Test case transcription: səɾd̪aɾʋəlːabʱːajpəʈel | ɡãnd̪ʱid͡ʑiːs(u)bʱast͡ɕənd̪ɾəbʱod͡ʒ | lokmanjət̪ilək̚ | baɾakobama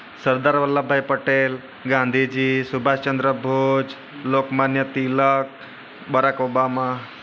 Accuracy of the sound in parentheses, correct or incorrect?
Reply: correct